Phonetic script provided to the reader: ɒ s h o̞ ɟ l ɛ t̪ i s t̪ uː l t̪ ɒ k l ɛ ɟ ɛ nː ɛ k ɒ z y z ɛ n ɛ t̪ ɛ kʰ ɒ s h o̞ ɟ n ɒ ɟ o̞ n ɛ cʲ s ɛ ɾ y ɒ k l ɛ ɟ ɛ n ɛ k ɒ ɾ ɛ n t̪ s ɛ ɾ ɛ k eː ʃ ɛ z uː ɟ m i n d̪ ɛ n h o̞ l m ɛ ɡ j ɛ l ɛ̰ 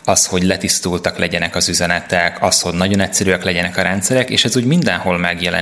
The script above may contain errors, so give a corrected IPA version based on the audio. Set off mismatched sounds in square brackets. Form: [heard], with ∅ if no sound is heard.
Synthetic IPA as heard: ɒ s h o̞ ɟ l ɛ t̪ i s t̪ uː l t̪ ɒ k l ɛ ɟ ɛ [n] ɛ k ɒ z y z ɛ n ɛ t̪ ɛ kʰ ɒ s h o̞ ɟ n ɒ ɟ o̞ n ɛ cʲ s ɛ ɾ y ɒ k l ɛ ɟ ɛ n ɛ k ɒ ɾ ɛ n t̪ s ɛ ɾ ɛ k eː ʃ ɛ z uː ɟ m i n d̪ ɛ n h o̞ l m ɛ ɡ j ɛ l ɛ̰